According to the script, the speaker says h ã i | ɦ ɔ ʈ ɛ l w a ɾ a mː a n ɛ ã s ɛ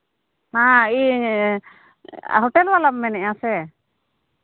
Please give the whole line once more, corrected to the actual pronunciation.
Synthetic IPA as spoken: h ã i | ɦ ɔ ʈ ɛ l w a l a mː ɛ n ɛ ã s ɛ